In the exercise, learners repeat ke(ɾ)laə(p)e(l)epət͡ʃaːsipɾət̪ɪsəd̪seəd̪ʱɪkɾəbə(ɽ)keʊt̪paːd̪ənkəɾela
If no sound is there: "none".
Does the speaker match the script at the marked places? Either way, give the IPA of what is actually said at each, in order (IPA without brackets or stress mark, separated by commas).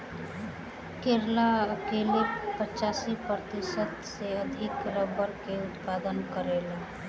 ɾ, k, l, ɾ